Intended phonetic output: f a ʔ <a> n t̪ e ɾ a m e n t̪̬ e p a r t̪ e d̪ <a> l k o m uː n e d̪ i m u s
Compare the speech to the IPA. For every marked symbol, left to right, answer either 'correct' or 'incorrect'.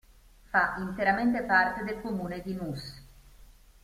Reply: incorrect: i, incorrect: e

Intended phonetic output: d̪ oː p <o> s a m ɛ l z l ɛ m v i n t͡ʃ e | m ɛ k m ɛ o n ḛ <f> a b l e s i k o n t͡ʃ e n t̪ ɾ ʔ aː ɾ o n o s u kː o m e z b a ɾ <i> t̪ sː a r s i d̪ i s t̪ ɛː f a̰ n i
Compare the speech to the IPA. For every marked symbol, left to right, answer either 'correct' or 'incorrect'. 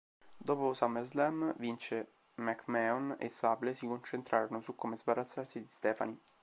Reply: correct, incorrect: s, incorrect: a

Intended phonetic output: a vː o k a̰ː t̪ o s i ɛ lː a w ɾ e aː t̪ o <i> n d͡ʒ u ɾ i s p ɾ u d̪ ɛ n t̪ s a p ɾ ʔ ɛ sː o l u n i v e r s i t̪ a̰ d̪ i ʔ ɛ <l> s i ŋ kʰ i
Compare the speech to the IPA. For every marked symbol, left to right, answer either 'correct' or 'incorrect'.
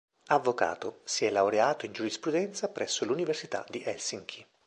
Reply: correct, correct

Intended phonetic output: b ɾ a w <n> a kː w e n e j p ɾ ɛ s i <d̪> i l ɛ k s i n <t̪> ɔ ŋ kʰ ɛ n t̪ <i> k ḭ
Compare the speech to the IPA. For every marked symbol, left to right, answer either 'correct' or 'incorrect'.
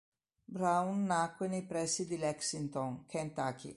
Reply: incorrect: nː, correct, correct, incorrect: a

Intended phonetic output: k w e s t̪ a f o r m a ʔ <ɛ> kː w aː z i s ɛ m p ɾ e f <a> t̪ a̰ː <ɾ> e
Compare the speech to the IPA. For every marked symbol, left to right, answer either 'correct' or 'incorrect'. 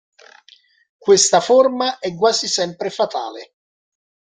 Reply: correct, correct, incorrect: l

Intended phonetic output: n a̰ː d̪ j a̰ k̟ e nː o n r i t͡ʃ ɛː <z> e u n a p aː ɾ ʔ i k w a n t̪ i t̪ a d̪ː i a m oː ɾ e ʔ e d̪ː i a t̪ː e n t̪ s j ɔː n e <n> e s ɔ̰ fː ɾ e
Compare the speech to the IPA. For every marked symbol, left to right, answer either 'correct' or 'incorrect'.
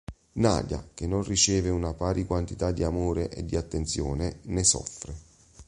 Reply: incorrect: v, correct

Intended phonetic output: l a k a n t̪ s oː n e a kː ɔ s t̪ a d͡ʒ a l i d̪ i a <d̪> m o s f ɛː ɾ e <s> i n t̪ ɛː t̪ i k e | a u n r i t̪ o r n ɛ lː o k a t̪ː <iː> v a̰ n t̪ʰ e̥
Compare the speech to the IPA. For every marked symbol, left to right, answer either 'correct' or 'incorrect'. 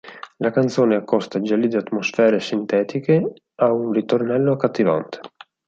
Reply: incorrect: t̪, correct, incorrect: i

